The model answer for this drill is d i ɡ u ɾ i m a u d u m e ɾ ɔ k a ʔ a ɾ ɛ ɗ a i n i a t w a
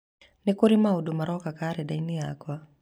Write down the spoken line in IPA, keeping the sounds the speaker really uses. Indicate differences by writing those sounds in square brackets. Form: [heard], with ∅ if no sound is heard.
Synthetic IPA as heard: [n] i [k] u ɾ i m a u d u m [a] ɾ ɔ k a [k] a ɾ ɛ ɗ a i n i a [k] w a